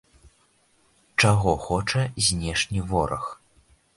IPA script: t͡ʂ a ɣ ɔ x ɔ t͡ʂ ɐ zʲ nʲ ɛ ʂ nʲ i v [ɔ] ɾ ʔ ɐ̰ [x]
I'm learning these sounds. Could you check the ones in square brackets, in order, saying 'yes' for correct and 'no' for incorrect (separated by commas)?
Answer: yes, yes